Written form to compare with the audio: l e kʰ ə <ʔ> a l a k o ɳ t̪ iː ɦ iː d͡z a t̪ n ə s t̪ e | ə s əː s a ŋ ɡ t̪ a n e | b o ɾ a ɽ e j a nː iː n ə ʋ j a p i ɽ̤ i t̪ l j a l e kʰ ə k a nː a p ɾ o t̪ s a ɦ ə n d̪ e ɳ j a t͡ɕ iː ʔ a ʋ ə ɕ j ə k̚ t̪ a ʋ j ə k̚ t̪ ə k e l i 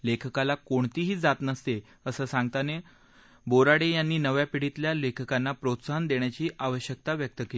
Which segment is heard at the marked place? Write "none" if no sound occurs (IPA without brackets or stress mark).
k